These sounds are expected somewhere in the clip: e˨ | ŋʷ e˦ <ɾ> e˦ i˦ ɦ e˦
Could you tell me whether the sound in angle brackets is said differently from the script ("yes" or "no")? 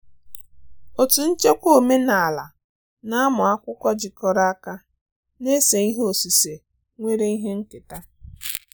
no